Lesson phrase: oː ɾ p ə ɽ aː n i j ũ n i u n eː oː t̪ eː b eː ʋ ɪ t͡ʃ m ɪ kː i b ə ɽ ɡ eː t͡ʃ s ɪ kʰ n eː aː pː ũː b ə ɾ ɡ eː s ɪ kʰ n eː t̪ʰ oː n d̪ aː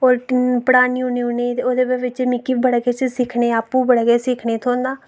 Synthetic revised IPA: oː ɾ p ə ɽ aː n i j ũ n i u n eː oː d̪ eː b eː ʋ ɪ t͡ʃ m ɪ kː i b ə ɽ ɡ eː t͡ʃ s ɪ kʰ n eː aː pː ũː b ə ɽ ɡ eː s ɪ kʰ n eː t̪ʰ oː n d̪ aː